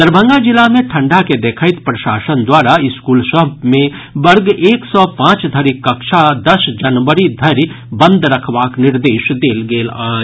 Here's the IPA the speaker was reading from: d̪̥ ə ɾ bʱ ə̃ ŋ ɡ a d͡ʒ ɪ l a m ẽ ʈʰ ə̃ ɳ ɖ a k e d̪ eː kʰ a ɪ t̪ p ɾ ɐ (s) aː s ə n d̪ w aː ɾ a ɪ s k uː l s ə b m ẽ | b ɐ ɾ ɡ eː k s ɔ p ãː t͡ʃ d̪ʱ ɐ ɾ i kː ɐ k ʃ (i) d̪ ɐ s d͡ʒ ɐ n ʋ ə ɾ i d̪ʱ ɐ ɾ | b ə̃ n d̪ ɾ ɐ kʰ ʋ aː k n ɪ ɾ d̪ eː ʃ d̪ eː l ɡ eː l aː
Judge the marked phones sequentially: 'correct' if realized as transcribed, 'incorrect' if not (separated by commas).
incorrect, incorrect